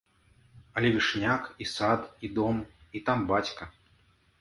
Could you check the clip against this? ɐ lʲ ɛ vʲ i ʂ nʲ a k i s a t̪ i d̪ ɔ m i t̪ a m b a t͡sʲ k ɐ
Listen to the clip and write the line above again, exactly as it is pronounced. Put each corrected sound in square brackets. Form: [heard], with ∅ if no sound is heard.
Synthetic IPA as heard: ɐ lʲ ɛ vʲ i ʂ nʲ a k i s a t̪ i d̪ ɔ m i t̪ a m b a t͡sʲ k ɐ

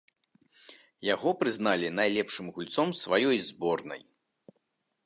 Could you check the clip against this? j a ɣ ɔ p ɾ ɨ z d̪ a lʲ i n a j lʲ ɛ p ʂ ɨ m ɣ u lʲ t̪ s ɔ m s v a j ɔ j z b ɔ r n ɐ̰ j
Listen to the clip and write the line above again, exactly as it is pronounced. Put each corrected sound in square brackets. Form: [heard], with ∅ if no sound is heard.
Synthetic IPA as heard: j a ɣ ɔ p ɾ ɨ z [n̪] a lʲ i n a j lʲ ɛ p ʂ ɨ m ɣ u lʲ t̪ s ɔ m s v a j ɔ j z b ɔ r n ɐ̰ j

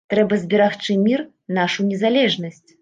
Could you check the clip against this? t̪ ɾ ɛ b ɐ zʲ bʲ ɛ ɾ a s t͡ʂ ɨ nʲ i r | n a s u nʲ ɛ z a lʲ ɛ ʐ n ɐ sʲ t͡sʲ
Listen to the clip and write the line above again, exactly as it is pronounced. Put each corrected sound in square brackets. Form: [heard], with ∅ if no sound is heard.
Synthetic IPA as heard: t̪ ɾ ɛ b ɐ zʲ bʲ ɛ ɾ a [x] t͡ʂ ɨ [mʲ] i r | n a [ʂ] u nʲ ɛ z a lʲ ɛ ʐ n ɐ sʲ t͡sʲ

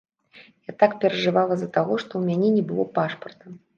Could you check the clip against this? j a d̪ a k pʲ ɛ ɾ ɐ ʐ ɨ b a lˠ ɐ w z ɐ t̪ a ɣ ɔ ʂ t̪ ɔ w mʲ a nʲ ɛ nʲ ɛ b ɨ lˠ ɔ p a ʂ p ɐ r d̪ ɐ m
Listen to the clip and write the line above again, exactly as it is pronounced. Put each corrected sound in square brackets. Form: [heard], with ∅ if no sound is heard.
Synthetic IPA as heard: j a [t̪] a k pʲ ɛ ɾ ɐ ʐ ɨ [v] a lˠ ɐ [∅] z ɐ t̪ a ɣ ɔ ʂ t̪ ɔ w mʲ a nʲ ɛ nʲ ɛ b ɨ lˠ ɔ p a ʂ p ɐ r [t̪] ɐ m

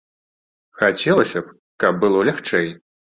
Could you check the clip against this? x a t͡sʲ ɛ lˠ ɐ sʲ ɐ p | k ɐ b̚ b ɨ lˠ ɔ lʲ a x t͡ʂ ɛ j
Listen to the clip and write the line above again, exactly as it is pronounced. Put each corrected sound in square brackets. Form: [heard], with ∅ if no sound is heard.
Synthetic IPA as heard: x a t͡sʲ ɛ lˠ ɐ sʲ ɐ p | k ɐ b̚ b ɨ lˠ ɔ lʲ a x t͡ʂ ɛ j

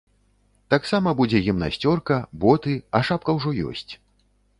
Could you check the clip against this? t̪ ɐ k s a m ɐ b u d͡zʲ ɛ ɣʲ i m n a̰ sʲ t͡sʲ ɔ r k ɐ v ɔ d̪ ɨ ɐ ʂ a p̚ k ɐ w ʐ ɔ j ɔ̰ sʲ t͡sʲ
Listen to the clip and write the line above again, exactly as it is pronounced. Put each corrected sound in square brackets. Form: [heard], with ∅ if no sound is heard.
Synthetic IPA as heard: t̪ [a] k s a m ɐ b u d͡zʲ ɛ ɣʲ i m n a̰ sʲ t͡sʲ ɔ r k ɐ [b] ɔ [t̪] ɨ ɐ ʂ a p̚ k ɐ w ʐ ɔ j ɔ̰ sʲ t͡sʲ

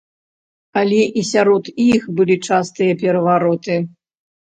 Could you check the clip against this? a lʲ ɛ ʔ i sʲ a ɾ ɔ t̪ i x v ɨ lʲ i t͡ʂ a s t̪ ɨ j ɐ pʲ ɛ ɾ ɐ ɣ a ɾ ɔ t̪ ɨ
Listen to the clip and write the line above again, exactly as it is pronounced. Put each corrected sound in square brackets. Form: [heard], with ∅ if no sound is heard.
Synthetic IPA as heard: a lʲ ɛ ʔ i sʲ a ɾ ɔ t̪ i x [b] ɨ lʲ i t͡ʂ a s t̪ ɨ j ɐ pʲ ɛ ɾ ɐ [v] a ɾ ɔ t̪ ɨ

